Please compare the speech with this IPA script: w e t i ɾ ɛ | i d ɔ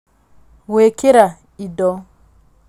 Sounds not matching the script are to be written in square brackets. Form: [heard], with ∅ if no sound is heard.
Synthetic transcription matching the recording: w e [k] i ɾ [a] | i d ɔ